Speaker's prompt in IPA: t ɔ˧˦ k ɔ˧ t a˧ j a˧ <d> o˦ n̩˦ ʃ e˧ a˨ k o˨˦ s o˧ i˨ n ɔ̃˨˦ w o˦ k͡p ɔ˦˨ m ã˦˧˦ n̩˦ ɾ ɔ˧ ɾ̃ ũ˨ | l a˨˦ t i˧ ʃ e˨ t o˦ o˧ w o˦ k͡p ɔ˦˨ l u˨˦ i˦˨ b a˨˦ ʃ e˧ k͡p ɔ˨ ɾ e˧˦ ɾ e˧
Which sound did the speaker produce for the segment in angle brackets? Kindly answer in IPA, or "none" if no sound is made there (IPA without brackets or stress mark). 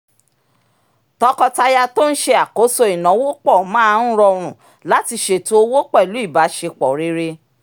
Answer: t